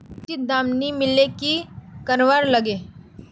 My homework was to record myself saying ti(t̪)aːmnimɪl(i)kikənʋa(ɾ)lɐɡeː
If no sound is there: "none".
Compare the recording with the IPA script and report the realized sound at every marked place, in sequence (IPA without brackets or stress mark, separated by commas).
d̪, e, ɾ